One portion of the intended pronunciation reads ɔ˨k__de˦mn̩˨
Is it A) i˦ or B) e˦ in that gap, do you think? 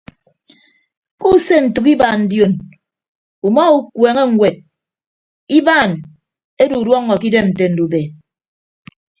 A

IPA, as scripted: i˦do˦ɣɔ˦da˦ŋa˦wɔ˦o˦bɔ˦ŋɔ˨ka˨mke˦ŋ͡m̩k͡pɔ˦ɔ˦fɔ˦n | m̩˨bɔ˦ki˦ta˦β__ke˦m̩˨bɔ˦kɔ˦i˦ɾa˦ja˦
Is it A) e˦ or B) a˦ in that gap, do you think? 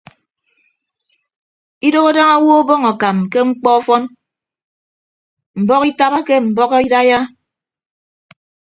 B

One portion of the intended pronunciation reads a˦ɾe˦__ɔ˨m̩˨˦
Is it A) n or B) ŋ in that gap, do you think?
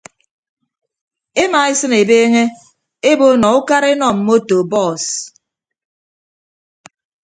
A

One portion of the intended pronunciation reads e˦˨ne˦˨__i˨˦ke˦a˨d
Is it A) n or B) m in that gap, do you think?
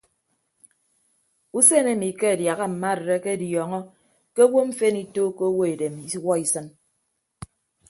B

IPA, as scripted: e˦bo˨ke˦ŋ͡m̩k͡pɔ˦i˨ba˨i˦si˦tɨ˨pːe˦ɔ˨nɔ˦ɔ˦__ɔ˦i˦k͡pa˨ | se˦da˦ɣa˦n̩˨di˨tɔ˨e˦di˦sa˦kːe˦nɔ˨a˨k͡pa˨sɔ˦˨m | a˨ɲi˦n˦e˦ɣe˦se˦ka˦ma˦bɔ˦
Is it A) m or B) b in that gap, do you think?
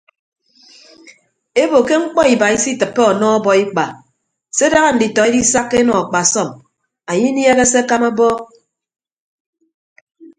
B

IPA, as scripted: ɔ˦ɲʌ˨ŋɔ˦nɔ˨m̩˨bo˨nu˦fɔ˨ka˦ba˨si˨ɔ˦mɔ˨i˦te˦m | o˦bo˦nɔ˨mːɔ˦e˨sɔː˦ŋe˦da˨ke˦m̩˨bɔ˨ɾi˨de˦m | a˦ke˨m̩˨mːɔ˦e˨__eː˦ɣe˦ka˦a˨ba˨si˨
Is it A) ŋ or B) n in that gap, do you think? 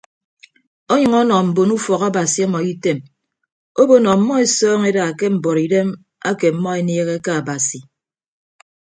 B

